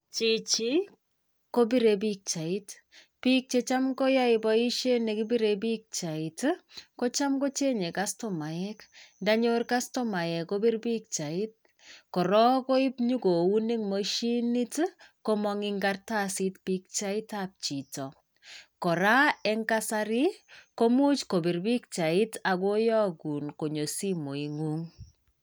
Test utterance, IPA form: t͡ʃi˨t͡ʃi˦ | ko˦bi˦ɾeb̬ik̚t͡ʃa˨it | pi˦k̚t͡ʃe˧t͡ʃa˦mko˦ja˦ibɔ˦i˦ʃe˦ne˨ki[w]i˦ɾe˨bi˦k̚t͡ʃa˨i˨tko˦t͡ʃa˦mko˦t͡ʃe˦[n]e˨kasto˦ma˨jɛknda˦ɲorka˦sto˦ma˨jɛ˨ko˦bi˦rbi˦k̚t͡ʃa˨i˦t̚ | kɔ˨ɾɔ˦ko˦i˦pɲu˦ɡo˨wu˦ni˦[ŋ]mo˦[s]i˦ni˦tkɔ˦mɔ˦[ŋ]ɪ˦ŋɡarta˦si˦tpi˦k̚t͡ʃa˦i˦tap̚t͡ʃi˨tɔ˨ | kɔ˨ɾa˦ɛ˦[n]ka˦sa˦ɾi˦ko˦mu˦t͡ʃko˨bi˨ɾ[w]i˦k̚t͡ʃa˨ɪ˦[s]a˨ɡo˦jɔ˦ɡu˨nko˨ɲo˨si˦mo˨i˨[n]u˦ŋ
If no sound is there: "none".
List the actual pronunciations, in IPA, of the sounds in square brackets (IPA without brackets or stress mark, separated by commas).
b, ɲ, ŋ, ʃ, ŋ, ŋ, b, t, ŋ